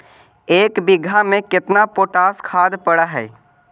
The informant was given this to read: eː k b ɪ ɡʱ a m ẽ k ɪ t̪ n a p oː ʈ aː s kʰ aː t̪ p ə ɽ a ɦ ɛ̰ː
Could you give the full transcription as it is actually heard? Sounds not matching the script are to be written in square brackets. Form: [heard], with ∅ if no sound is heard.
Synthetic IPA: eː k b ɪ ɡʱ a m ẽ k ɪ t̪ n a p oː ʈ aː s kʰ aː [d̪] p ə ɽ a ɦ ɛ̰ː